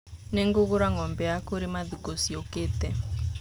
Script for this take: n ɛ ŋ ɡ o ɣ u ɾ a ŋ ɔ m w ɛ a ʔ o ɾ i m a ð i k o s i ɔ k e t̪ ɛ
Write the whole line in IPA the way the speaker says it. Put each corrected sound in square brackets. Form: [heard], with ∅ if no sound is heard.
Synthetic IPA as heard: n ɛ ŋ ɡ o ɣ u ɾ a ŋ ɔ m [b] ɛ a [k] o ɾ i m a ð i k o s i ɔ k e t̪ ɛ